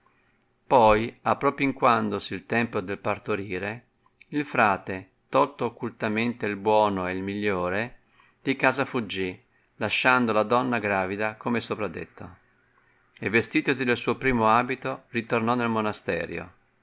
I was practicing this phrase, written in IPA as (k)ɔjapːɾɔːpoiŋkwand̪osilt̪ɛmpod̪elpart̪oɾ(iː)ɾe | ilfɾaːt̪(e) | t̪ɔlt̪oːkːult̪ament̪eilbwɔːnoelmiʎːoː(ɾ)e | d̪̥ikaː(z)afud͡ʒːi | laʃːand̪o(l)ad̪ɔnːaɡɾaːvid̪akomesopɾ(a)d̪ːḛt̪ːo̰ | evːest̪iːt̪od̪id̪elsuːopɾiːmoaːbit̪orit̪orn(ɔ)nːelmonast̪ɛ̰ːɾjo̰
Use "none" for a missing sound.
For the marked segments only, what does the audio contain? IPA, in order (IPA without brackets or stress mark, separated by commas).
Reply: p, iː, e, ɾ, z, l, a, ɔ